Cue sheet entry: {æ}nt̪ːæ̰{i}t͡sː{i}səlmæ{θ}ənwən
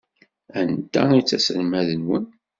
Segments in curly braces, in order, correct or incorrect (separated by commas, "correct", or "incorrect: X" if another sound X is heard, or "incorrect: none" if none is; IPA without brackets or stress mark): correct, correct, incorrect: æ, incorrect: ð